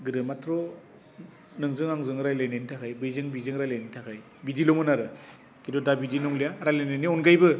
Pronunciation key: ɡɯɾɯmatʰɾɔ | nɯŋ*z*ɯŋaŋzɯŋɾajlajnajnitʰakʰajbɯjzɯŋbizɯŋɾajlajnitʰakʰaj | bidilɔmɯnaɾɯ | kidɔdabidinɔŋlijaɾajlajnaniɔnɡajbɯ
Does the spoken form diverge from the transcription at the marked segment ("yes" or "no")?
no